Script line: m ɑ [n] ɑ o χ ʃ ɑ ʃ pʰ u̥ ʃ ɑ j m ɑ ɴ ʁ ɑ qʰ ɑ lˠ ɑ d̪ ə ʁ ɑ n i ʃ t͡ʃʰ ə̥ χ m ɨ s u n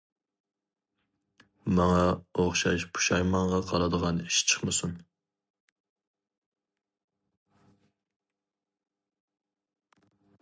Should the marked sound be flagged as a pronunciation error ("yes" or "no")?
yes